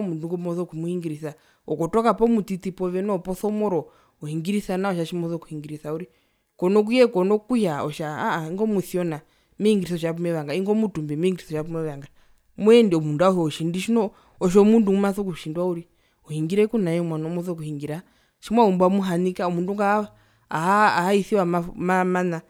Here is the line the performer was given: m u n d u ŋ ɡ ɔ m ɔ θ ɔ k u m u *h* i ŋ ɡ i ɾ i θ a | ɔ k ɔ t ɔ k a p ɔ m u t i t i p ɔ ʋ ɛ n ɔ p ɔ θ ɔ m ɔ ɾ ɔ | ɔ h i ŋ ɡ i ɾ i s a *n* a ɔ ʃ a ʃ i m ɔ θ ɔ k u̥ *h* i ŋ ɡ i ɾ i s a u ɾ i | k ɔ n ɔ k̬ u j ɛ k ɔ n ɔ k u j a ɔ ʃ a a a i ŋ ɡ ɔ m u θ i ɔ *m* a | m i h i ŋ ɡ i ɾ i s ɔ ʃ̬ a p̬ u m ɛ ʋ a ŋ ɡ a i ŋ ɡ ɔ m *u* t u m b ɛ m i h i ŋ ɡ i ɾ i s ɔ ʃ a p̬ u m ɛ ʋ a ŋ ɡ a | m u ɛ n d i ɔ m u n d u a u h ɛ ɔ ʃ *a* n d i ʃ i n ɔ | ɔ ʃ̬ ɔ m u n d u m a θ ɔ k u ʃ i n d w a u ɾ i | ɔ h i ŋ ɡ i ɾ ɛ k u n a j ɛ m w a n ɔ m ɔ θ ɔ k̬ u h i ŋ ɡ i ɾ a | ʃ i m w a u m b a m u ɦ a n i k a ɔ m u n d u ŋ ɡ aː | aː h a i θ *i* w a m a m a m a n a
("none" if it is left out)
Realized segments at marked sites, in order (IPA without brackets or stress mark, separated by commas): h, n, h, n, u, i, i